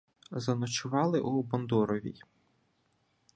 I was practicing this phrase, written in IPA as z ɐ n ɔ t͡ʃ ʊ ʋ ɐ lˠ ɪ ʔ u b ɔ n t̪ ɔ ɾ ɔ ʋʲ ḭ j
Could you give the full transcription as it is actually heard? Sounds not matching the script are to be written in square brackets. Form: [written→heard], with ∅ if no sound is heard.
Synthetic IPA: z ɐ n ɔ t͡ʃ ʊ ʋ [ɐ→ɑ] lˠ ɪ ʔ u b ɔ n [t̪→d̪] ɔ ɾ ɔ ʋʲ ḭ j